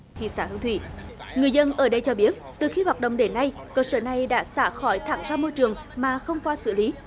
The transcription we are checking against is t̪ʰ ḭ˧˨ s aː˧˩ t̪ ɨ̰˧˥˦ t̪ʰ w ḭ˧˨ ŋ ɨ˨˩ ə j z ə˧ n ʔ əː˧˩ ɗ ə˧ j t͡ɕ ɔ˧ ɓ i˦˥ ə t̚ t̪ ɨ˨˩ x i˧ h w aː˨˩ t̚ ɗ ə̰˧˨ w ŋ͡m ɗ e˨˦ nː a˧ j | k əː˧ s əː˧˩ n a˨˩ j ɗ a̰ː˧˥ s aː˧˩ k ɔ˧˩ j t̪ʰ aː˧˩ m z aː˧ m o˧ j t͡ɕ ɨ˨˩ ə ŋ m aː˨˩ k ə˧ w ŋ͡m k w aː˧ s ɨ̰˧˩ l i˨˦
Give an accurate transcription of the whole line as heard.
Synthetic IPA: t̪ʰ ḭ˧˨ s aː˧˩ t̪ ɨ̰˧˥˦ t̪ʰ w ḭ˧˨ ŋ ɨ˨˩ ə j z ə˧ n ʔ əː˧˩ ɗ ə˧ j t͡ɕ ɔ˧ ɓ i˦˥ ə t̚ t̪ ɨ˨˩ x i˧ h w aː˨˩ t̚ ɗ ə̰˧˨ w ŋ͡m ɗ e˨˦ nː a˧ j | k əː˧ s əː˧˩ n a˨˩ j ɗ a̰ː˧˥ s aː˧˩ x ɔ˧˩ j t̪ʰ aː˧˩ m z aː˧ m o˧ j t͡ɕ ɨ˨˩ ə ŋ m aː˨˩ x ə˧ w ŋ͡m k w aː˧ s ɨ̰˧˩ l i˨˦